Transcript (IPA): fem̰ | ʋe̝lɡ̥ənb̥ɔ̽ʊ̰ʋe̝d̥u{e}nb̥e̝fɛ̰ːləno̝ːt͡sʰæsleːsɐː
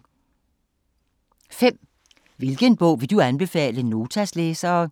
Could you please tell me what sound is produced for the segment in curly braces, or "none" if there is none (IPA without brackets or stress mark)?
æ